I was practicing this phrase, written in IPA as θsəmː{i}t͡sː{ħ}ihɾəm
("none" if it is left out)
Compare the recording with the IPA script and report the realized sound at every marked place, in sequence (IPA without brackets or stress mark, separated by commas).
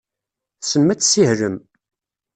æ, s